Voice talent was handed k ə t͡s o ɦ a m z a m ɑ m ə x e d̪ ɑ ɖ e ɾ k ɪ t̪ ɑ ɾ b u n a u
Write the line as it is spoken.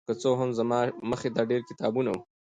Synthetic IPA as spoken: k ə t͡s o ɦ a m z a m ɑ m ə x e d̪ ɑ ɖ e ɾ k ɪ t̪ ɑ b u n a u